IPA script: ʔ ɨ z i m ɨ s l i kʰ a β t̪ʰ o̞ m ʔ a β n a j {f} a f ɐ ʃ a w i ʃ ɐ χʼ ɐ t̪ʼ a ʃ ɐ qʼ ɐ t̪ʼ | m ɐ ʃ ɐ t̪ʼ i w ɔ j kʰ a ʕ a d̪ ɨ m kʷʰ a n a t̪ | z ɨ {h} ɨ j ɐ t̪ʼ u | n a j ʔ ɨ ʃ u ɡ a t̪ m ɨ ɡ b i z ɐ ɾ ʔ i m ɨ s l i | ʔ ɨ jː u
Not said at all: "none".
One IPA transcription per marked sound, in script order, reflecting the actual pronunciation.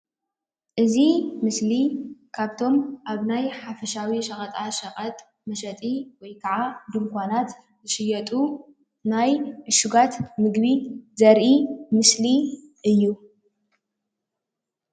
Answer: ħ, ʃ

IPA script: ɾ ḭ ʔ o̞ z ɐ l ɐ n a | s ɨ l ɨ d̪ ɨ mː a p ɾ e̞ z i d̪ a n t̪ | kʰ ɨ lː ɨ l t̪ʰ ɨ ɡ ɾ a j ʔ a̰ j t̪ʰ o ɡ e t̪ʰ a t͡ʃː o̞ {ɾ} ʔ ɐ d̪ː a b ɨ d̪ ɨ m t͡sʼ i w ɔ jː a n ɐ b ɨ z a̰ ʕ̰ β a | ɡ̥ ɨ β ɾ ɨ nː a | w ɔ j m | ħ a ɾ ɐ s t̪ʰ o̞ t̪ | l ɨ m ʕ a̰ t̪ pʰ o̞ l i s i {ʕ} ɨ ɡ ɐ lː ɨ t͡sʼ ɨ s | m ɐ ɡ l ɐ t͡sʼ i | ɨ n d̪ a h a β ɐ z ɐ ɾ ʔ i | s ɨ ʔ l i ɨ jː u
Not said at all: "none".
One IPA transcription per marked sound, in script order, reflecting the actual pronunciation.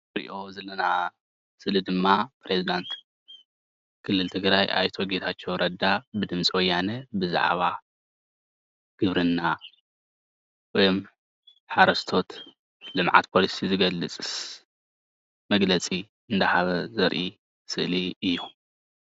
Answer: ɾ, z

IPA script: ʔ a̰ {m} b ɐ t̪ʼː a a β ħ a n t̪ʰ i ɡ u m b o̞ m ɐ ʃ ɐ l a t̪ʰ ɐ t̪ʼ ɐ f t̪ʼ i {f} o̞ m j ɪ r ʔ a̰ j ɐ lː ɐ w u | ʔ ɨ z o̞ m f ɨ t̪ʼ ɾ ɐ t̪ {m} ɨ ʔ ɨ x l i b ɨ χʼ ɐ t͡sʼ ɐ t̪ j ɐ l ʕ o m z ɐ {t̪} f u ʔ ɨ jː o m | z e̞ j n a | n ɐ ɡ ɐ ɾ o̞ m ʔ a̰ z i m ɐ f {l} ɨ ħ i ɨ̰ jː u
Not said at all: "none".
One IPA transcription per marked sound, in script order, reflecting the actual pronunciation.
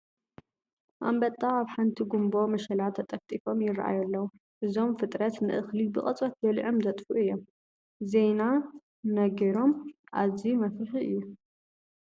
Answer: m, f, n, t̪ʼ, ɾ

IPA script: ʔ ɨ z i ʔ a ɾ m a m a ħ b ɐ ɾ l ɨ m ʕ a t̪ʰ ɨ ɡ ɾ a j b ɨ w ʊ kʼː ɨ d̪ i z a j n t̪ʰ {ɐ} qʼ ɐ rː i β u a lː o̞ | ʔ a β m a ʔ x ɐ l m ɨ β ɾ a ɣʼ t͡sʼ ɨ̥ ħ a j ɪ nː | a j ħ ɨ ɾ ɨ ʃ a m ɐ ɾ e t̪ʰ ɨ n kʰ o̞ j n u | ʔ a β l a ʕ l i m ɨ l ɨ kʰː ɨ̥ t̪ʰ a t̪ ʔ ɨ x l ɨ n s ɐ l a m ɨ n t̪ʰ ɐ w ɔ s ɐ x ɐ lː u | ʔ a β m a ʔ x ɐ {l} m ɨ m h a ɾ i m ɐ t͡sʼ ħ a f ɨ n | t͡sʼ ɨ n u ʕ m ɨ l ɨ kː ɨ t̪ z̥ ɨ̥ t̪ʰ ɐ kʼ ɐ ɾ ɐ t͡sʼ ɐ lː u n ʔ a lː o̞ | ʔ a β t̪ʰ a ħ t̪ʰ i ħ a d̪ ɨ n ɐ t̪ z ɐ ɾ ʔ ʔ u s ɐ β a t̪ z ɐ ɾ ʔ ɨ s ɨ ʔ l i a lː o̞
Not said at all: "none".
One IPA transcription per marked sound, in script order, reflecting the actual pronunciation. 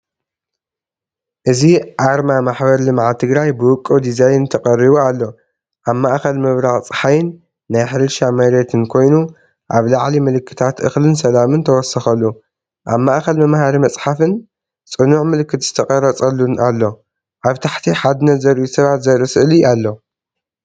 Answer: ɐ, l

